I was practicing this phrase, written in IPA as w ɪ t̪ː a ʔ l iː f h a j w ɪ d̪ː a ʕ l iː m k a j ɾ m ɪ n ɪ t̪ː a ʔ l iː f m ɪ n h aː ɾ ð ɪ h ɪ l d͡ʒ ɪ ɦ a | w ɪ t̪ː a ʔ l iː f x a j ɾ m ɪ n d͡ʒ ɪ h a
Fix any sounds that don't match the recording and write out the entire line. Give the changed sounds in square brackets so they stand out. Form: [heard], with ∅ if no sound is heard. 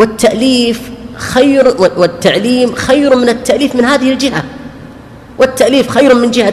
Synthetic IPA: w ɪ t̪ː a ʔ l iː f [x] a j w ɪ [t̪ː] a ʕ l iː m [x] a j ɾ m ɪ n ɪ t̪ː a ʔ l iː f m ɪ n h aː [∅] ð ɪ h ɪ l d͡ʒ ɪ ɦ a | w ɪ t̪ː a ʔ l iː f x a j ɾ m ɪ n d͡ʒ ɪ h a

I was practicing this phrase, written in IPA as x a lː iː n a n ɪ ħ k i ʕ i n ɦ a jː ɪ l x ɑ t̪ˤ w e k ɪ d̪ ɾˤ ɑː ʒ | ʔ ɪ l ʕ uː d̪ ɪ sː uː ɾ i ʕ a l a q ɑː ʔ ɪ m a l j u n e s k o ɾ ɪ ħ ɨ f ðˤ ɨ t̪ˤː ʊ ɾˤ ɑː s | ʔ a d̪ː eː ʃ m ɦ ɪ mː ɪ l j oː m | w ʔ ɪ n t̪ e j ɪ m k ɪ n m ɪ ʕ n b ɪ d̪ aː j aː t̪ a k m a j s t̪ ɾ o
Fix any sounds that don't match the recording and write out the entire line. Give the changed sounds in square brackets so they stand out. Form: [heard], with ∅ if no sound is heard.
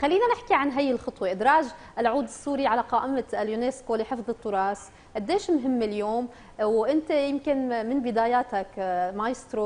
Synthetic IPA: x a lː iː n a n ɪ ħ k i ʕ [a] n ɦ a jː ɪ l x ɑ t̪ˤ w e [ʔ] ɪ d̪ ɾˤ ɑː ʒ | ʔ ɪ l ʕ uː d̪ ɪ sː uː ɾ i ʕ a l a q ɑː ʔ ɪ m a l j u n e s k o [l] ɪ ħ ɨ f ðˤ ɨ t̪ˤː ʊ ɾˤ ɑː s | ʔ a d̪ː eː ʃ m ɦ ɪ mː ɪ l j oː m | w ʔ ɪ n t̪ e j ɪ m k ɪ n m ɪ [∅] n b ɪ d̪ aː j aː t̪ a k m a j s t̪ ɾ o

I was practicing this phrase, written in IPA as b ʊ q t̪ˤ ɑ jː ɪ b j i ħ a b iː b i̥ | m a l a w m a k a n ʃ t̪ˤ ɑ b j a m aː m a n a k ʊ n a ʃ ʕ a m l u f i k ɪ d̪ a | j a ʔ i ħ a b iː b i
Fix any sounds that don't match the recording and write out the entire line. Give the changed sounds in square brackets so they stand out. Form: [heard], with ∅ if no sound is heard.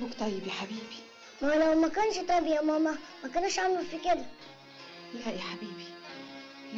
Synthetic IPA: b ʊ [k] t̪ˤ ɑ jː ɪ b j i ħ a b iː b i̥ | m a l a w m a k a n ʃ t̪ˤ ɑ b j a m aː m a [m] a k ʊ n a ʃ ʕ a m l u f i k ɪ d̪ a | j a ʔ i ħ a b iː b i

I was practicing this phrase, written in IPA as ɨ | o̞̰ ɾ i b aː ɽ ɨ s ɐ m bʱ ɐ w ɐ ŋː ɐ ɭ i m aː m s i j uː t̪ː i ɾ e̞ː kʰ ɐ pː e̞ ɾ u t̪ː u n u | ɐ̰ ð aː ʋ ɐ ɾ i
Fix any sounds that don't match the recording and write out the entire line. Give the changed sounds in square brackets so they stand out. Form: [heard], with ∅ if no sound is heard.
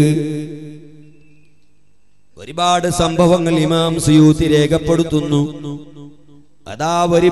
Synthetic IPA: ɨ | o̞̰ ɾ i b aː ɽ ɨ s ɐ m bʱ ɐ [ʋ] ɐ ŋː ɐ ɭ i m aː m s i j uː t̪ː i ɾ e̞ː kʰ ɐ pː e̞ [ɽ] u t̪ː u [nː] u | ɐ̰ ð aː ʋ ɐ ɾ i

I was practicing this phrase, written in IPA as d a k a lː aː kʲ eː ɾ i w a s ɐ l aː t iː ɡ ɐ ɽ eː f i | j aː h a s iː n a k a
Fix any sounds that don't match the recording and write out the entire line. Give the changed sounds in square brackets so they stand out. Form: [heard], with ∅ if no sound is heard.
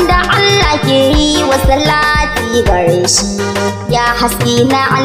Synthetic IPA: d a [ʔ] a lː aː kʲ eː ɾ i w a s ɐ l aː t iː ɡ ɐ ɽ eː [ʃ] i | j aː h a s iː n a [ʔ] a

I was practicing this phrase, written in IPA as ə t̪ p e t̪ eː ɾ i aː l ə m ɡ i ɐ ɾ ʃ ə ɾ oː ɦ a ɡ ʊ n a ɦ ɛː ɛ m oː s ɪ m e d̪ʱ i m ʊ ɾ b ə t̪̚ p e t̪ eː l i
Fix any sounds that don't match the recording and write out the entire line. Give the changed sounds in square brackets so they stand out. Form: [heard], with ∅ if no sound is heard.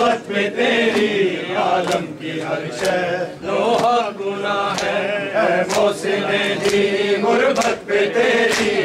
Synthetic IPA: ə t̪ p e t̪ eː ɾ i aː l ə m [k] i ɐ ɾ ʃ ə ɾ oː ɦ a ɡ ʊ n a ɦ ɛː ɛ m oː s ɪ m e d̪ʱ i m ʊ ɾ b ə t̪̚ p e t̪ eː [ɾ] i

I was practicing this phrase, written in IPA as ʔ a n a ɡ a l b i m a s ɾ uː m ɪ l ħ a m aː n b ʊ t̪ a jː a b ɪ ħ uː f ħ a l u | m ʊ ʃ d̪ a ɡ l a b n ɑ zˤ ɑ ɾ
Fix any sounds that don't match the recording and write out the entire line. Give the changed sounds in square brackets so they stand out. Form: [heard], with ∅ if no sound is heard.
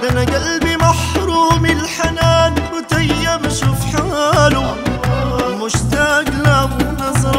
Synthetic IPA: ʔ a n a ɡ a l b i m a [ħ] ɾ uː m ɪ l ħ a [n] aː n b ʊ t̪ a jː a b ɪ [ʃ] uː f ħ a l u | m ʊ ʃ [t̪] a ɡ l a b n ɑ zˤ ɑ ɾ

